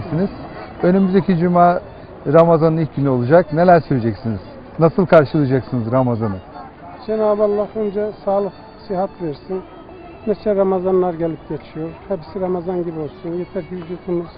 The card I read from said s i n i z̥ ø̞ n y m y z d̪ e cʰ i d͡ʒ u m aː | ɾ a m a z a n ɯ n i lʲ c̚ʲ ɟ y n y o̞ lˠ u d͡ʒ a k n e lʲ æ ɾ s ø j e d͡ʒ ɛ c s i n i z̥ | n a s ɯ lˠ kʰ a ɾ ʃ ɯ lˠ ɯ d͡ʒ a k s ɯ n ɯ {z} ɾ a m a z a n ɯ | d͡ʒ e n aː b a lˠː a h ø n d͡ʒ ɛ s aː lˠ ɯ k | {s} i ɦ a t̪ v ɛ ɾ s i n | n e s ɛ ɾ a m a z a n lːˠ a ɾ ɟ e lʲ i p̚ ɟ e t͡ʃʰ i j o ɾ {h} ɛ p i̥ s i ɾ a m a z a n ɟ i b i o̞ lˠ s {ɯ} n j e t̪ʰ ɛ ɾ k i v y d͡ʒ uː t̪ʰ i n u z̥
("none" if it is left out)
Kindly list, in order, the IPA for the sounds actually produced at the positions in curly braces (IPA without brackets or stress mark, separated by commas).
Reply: z, s, h, u